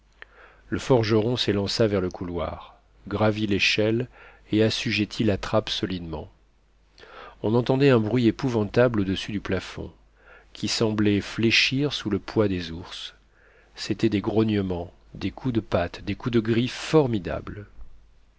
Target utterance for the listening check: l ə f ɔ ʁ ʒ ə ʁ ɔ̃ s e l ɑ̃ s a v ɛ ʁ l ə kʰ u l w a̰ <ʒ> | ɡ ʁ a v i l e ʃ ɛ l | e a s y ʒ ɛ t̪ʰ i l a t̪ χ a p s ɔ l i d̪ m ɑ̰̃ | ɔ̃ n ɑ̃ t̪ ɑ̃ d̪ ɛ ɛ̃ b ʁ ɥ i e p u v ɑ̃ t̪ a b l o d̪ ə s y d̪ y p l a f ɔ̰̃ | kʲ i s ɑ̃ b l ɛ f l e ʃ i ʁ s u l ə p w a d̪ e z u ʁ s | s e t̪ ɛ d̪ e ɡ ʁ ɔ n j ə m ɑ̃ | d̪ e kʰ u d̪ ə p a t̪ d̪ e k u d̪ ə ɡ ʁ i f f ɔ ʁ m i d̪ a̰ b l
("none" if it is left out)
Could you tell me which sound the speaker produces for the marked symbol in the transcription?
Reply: ʁ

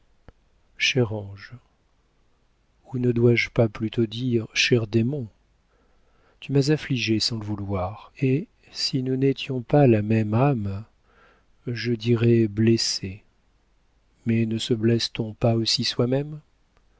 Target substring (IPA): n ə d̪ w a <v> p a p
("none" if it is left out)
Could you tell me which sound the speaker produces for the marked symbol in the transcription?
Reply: ʒ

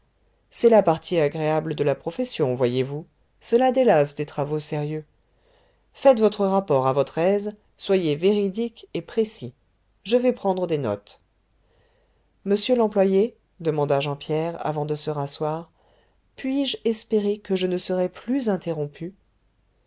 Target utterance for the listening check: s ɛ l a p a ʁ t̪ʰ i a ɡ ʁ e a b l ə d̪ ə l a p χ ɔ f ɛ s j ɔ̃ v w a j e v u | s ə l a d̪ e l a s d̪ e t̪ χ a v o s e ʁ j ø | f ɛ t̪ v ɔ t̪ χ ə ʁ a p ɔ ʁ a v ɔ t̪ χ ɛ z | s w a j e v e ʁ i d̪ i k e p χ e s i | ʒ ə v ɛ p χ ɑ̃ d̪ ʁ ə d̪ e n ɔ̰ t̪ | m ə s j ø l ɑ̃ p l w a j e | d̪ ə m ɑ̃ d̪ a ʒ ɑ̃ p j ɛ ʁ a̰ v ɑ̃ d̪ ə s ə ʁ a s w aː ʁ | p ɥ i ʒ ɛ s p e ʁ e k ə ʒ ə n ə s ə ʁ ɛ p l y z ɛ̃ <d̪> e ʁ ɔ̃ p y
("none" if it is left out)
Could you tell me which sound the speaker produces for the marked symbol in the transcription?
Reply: t̪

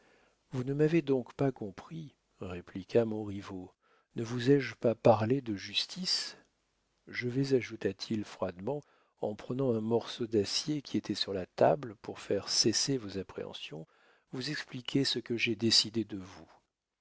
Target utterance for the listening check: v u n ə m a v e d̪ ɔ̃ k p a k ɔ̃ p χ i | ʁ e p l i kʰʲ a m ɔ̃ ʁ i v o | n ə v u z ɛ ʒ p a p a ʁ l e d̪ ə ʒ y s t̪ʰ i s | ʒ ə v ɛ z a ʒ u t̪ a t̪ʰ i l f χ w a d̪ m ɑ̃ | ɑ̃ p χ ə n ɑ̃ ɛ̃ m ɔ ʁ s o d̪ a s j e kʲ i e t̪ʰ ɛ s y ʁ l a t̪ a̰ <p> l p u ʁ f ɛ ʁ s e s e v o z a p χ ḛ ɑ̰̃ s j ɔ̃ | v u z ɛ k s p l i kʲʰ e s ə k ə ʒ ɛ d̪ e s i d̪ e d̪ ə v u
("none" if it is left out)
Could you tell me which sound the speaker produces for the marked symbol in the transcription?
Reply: b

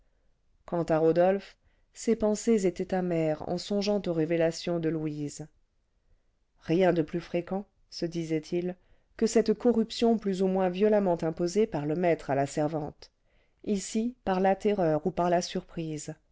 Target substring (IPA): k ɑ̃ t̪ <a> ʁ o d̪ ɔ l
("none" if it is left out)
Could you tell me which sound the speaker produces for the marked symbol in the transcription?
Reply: a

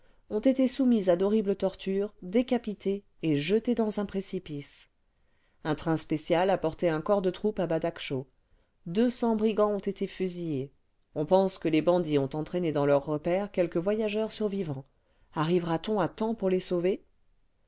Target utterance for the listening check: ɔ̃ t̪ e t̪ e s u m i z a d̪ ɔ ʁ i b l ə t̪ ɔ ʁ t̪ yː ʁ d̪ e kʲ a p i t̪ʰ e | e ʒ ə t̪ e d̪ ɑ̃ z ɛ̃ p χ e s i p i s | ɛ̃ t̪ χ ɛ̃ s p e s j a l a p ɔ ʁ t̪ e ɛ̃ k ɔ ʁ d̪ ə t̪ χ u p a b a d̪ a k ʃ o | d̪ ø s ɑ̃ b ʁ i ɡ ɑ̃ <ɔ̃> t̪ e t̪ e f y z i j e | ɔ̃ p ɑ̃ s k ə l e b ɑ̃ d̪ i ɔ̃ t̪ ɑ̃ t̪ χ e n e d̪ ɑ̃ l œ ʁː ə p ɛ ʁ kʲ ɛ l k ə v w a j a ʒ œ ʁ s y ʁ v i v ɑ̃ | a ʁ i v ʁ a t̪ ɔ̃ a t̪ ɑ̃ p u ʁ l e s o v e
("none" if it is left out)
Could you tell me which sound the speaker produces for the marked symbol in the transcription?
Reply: ɔ̃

